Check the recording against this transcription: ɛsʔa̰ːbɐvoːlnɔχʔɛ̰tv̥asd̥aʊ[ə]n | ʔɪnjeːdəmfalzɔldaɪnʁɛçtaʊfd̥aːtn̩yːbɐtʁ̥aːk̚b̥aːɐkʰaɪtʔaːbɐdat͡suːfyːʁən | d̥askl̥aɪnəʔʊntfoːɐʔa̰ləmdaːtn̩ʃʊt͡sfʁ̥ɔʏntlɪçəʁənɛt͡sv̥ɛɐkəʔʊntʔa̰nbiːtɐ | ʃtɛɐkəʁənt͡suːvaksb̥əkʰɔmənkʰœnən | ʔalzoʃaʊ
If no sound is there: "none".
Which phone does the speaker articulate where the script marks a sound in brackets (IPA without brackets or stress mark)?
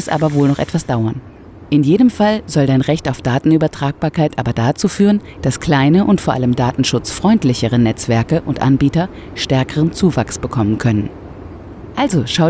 ɐ